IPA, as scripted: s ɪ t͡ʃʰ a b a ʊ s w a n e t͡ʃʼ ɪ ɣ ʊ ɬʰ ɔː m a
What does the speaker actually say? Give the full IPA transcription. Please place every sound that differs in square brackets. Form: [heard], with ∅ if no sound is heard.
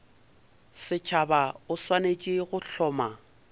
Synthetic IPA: s ɪ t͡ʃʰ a b a ʊ s w a n e t͡ʃʼ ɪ ɣ ʊ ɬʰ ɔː m a